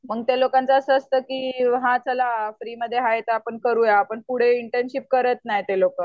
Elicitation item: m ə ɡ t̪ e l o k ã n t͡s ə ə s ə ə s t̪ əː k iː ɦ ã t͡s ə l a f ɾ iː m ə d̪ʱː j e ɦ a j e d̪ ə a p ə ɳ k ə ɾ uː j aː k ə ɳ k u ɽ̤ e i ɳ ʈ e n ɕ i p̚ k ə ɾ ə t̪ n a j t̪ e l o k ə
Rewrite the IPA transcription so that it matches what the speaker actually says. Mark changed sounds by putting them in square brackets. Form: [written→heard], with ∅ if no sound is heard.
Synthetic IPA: m ə ɡ t̪ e l o k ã n t͡s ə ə s ə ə s t̪ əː k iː ɦ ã t͡s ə l a f ɾ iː m ə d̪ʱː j e ɦ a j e [d̪→t̪] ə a p ə ɳ k ə ɾ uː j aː [k→p] ə ɳ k u ɽ̤ e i ɳ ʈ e n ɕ i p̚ k ə ɾ ə t̪ n a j t̪ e l o k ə